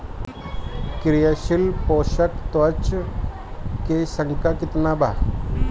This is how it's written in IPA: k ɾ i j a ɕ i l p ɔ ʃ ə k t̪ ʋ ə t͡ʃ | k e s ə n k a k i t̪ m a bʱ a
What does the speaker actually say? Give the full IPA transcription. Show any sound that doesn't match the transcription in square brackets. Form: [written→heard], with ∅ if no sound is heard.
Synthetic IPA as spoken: k ɾ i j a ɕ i l p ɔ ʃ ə k t̪ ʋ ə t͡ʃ | k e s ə [n→ŋ] k a k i t̪ [m→n] a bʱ a